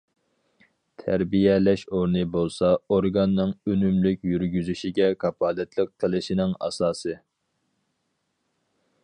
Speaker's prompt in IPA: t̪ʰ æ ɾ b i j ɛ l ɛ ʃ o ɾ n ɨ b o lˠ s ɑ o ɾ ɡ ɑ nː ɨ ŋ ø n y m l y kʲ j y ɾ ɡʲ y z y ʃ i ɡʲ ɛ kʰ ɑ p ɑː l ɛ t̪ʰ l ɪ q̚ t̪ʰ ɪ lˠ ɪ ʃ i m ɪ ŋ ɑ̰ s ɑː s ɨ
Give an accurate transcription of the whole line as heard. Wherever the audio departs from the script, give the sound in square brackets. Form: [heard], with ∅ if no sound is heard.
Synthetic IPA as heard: t̪ʰ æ ɾ b i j ɛ l ɛ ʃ o ɾ n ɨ b o lˠ s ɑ o ɾ ɡ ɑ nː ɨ ŋ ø n y m l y kʲ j y ɾ ɡʲ y z y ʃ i ɡʲ ɛ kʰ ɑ p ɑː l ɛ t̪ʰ l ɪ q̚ t̪ʰ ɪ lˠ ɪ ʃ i [n] ɪ ŋ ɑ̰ s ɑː s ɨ